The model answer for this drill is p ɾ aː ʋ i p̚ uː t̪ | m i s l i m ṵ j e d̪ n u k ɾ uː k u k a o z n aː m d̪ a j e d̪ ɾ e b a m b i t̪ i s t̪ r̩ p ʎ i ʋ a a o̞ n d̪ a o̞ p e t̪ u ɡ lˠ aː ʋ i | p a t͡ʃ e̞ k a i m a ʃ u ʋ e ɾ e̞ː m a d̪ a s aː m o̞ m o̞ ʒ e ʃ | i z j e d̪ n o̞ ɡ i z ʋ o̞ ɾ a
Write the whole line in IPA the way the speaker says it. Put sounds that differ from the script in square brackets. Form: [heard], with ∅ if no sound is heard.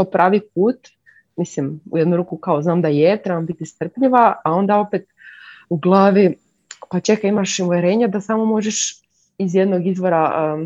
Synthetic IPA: p ɾ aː ʋ i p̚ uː t̪ | m i s l i m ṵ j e d̪ n u [∅] ɾ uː k u k a o z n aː m d̪ a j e [t̪] ɾ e b a m b i t̪ i s t̪ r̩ p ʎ i ʋ a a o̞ n d̪ a o̞ p e t̪ u ɡ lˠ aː ʋ i | p a t͡ʃ e̞ k a i m a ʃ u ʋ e ɾ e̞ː [ɲ] a d̪ a s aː m o̞ m o̞ ʒ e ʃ | i z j e d̪ n o̞ ɡ i z ʋ o̞ ɾ a